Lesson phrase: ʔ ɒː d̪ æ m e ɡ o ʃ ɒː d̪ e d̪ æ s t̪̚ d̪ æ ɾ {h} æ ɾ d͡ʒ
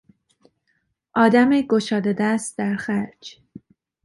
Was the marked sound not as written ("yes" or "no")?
yes